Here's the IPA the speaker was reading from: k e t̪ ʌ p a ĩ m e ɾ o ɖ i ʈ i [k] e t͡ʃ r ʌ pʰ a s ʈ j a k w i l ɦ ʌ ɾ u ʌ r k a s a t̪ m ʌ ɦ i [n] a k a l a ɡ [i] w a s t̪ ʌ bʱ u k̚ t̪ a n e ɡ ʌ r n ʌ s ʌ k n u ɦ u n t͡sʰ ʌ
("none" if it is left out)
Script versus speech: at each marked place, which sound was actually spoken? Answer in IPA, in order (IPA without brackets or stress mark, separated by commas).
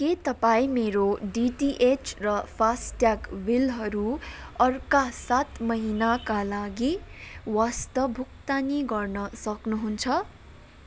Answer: ʔ, n, i